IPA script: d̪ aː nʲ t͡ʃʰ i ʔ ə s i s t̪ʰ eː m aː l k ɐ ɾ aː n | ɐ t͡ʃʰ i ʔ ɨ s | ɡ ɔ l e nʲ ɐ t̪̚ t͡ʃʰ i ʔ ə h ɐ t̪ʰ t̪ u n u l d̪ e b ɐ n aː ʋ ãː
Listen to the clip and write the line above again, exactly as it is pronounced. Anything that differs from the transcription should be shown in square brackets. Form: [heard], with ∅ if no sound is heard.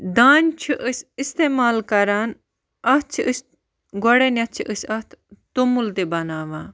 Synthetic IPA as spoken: d̪ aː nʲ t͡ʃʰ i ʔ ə s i s [t̪] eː m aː l k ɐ ɾ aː n | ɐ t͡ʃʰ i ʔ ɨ s | ɡ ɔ [ɽ] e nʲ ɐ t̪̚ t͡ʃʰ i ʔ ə [s] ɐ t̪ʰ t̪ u [m] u l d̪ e b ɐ n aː ʋ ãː

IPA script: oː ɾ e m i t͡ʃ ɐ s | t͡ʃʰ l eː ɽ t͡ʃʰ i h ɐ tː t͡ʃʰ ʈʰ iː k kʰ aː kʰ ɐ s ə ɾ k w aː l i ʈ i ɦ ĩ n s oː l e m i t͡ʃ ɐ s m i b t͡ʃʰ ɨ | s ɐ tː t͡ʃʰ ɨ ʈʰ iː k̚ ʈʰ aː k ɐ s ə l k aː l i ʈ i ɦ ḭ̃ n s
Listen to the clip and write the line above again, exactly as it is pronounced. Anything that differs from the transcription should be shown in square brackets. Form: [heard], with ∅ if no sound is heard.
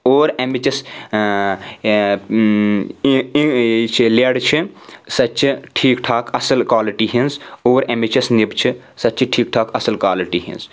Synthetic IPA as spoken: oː ɾ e m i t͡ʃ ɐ s | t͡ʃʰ l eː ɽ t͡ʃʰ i [s] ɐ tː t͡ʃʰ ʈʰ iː k [ʈʰ] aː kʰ ɐ s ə [l] k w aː l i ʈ i ɦ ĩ n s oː [ɾ] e m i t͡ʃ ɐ s [n] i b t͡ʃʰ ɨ | s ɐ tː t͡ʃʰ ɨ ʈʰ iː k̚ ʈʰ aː k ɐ s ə l k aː l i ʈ i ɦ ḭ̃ n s

